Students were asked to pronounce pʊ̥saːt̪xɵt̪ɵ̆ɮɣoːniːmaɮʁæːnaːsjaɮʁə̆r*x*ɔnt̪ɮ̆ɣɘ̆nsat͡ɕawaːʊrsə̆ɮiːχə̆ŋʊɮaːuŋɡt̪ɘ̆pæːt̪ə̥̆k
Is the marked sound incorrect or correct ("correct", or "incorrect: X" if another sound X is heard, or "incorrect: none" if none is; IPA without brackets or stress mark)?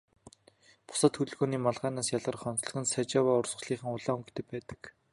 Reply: incorrect: χ